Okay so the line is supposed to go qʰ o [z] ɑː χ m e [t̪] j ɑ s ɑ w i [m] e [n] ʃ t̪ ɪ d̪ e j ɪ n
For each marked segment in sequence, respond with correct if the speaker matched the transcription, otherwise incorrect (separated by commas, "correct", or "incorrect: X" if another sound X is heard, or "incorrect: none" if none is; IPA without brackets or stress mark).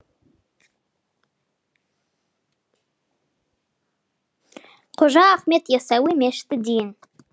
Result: incorrect: ʒ, correct, correct, incorrect: none